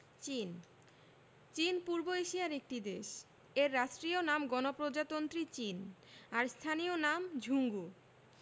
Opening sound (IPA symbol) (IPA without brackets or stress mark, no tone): t͡ɕ